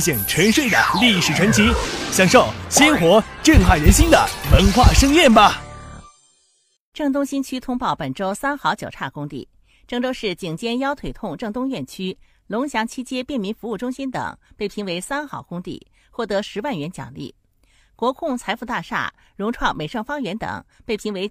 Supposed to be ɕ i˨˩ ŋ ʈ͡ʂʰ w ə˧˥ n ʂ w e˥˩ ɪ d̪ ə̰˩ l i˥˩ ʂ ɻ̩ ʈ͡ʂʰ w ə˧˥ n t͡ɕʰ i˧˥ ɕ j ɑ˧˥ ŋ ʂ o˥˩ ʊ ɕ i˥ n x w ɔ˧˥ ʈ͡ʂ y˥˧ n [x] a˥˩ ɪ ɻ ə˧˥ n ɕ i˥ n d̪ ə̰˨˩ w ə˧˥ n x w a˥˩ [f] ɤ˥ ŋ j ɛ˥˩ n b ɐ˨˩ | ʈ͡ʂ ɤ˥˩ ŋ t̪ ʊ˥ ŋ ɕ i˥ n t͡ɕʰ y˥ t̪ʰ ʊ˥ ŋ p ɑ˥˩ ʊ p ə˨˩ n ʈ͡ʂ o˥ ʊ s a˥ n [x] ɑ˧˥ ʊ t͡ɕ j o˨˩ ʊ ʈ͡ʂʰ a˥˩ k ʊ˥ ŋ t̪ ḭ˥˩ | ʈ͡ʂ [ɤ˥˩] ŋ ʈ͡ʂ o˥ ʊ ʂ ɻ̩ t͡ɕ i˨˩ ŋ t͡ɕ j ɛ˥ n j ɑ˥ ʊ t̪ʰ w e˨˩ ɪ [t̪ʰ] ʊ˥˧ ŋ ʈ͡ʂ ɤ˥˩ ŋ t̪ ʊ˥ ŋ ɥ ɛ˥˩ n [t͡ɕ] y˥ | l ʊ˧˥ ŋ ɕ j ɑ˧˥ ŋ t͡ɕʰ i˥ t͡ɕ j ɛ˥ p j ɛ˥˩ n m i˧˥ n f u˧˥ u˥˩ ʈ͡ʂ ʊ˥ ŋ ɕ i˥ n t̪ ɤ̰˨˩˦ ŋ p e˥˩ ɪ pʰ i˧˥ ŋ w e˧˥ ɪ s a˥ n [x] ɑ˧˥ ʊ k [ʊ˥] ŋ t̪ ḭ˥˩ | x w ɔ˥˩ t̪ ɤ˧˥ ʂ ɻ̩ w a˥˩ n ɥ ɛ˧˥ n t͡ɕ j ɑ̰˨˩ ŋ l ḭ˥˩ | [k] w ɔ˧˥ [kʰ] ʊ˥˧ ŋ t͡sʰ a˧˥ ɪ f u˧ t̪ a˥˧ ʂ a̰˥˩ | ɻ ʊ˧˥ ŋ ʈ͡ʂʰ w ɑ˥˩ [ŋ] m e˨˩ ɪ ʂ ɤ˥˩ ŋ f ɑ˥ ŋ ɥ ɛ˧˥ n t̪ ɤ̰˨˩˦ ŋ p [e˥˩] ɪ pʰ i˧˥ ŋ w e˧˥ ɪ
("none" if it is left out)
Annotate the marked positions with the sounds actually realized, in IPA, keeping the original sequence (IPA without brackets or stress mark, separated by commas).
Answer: x, ʂ, x, ɤ˥˩, t̪ʰ, t͡ɕʰ, x, ʊ˥, k, kʰ, ŋ, e˥˩